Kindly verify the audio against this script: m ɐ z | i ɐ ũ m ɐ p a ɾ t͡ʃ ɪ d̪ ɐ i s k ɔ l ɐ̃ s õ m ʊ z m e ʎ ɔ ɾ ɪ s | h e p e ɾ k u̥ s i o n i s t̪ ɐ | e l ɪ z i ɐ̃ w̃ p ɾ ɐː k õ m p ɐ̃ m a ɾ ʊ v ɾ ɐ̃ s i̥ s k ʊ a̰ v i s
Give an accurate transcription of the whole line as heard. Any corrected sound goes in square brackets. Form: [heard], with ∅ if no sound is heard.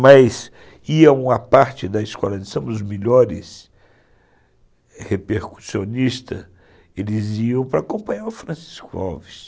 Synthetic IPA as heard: m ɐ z | i ɐ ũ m ɐ p a ɾ t͡ʃ ɪ d̪ ɐ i s k ɔ l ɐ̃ s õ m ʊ z m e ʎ ɔ ɾ ɪ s | h e p e ɾ k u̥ s i o n i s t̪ ɐ | e l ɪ z i ɐ̃ w̃ p ɾ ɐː k õ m p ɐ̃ [ɲ] a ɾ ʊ [f] ɾ ɐ̃ s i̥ s k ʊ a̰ v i s